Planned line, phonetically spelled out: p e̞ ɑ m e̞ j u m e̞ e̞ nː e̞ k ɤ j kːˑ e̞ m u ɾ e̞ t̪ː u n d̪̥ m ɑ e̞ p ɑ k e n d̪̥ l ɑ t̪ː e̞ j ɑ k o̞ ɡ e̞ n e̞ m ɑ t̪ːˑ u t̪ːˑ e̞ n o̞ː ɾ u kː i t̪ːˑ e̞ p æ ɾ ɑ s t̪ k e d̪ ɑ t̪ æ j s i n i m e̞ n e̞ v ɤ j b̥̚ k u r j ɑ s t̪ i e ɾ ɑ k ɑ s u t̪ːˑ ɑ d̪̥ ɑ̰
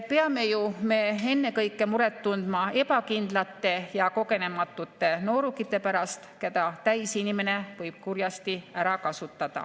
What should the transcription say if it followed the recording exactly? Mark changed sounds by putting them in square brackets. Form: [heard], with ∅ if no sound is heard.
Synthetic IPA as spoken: p e̞ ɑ m e̞ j u m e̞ e̞ nː e̞ k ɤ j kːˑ e̞ m u ɾ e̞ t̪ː u n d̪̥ m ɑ e̞ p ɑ k [i] n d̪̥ l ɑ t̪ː e̞ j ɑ k o̞ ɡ e̞ n e̞ m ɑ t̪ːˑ u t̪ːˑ e̞ n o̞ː ɾ u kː i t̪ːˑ e̞ p æ ɾ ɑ s t̪ k e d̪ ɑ t̪ æ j s i n i m e̞ n e̞ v ɤ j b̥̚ k u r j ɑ s t̪ i [æ] ɾ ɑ k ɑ s u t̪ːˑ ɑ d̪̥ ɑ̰